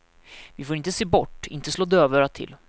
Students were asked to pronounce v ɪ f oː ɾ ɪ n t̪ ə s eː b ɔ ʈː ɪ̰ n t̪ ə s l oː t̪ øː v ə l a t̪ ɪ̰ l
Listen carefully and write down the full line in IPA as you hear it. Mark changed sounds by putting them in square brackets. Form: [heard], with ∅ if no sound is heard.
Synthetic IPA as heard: v ɪ f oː ɾ ɪ n t̪ ə s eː b ɔ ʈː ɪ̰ n t̪ ə s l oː [d̪] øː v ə [ɾ] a [t̪ʰ] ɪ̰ l